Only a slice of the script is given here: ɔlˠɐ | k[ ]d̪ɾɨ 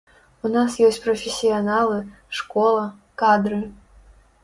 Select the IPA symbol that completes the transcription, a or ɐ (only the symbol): a